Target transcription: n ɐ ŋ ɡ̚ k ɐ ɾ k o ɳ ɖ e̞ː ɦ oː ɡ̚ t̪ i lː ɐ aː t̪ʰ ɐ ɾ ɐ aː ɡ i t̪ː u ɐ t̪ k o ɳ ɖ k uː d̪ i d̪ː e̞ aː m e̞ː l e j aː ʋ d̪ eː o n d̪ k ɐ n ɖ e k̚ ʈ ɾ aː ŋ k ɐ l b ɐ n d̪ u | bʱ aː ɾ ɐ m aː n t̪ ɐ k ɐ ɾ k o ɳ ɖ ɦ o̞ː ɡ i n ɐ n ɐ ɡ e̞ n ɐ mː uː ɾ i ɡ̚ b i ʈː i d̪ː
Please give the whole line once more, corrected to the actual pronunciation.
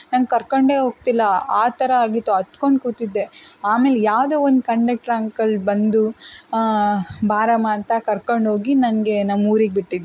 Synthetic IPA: n ɐ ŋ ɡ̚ k ɐ ɾ k o ɳ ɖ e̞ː ɦ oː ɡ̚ t̪ i lː ɐ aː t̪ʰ ɐ ɾ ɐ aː ɡ i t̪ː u ɐ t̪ k o ɳ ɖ k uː t̪ i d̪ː e̞ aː m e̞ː l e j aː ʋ d̪ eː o n d̪ k ɐ ɳ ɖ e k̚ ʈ ɾ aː ŋ k ɐ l b ɐ n d̪ u | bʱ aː ɾ ɐ m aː n t̪ ɐ k ɐ ɾ k o ɳ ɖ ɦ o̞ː ɡ i n ɐ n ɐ ɡ e̞ n ɐ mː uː ɾ i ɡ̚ b i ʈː i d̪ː